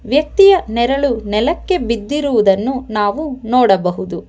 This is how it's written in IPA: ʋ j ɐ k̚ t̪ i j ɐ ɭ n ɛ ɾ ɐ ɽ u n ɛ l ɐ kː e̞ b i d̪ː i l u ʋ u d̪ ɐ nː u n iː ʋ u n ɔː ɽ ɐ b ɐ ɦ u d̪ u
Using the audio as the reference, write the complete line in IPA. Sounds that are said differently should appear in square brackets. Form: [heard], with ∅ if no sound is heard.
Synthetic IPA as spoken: ʋ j ɐ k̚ t̪ i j ɐ [∅] n ɛ ɾ ɐ [ɭ] u n ɛ l ɐ kː e̞ b i d̪ː i [ɾ] u ʋ u d̪ ɐ nː u n [aː] ʋ u n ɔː ɽ ɐ b ɐ ɦ u d̪ u